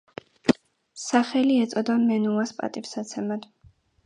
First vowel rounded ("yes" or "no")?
no